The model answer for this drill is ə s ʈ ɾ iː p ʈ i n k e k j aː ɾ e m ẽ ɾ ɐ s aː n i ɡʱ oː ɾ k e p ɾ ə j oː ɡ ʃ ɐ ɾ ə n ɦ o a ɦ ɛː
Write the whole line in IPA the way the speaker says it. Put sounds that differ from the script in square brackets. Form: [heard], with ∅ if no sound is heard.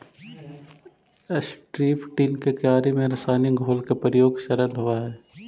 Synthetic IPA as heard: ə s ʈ ɾ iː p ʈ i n k e k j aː ɾ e m ẽ ɾ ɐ s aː n i ɡʱ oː [l] k e p ɾ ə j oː ɡ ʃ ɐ ɾ ə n ɦ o a ɦ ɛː